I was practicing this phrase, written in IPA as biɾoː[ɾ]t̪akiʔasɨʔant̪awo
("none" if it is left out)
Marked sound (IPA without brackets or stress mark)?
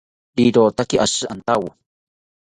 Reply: none